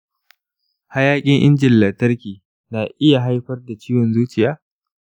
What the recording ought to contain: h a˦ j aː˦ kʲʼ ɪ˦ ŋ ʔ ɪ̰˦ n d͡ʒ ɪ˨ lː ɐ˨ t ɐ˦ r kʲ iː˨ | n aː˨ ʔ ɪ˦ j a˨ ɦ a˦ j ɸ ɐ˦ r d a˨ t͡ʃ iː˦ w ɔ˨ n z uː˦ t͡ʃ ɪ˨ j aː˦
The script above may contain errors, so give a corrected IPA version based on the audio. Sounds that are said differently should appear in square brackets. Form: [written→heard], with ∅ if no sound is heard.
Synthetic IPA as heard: h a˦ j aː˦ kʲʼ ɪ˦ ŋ ʔ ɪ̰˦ n d͡ʒ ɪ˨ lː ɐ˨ t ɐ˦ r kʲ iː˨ | n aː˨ ʔ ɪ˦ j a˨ ɦ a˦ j ɸ ɐ˦ r d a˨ t͡ʃ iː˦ w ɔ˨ n z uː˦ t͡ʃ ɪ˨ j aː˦